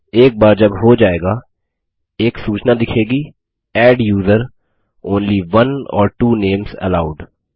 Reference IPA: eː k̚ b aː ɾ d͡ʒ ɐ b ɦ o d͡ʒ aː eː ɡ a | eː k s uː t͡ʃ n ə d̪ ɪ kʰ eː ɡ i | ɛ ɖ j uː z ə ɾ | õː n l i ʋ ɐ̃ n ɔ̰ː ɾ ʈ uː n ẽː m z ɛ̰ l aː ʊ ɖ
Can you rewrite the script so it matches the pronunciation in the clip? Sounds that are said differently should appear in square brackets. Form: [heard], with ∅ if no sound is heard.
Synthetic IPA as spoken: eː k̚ b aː ɾ d͡ʒ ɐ b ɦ o d͡ʒ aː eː ɡ a | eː k s uː t͡ʃ n [a] d̪ ɪ kʰ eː ɡ i | [ɛː] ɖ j uː z ə ɾ | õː n l i ʋ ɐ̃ n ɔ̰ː ɾ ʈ uː n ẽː m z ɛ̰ l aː ʊ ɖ